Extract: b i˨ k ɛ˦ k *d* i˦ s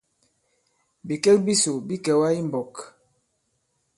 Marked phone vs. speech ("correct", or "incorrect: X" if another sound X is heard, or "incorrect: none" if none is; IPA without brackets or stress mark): incorrect: b